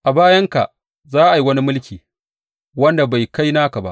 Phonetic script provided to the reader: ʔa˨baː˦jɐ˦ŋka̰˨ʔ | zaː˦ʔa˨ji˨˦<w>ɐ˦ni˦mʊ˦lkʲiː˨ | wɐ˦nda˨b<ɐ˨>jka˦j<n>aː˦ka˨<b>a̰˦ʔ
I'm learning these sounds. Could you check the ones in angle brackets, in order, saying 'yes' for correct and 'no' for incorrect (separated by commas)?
yes, no, yes, yes